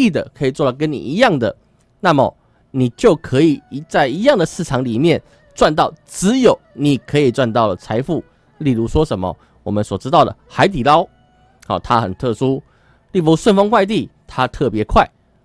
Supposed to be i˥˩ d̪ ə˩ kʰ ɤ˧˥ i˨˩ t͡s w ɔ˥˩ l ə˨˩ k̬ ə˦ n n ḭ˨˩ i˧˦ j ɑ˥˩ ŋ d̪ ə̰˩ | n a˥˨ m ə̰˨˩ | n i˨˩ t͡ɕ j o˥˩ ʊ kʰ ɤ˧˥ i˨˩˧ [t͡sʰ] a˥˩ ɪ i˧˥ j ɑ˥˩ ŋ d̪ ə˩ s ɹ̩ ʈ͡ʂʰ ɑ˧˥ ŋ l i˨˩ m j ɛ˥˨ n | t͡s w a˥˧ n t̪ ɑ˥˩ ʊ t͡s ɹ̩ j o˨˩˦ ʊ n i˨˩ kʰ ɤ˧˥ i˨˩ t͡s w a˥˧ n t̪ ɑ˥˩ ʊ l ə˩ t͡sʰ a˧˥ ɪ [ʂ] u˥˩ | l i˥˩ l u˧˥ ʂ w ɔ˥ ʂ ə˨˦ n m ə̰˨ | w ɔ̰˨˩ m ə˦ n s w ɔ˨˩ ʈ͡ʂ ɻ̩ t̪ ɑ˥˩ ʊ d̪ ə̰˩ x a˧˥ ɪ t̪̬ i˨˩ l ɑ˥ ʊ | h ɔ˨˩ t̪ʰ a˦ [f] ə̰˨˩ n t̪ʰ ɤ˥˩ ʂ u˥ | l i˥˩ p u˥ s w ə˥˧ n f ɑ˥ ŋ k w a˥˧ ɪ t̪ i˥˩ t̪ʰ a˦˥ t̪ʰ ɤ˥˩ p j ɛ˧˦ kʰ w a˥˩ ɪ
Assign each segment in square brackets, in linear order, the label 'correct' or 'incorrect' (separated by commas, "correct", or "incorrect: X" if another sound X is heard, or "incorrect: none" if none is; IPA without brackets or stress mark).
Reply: incorrect: t͡s, incorrect: f, incorrect: x